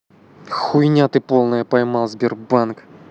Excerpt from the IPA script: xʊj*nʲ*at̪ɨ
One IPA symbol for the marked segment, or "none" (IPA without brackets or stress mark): nʲ